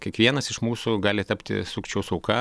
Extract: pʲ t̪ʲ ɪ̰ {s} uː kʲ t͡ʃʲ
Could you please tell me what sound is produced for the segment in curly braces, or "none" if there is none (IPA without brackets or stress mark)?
s